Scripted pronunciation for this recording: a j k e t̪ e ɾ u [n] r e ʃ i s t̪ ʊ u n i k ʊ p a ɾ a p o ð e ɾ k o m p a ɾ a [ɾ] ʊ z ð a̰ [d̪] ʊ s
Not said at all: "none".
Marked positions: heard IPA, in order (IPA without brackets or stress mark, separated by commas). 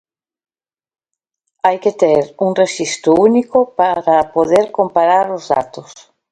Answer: ŋ, ɾ, t̪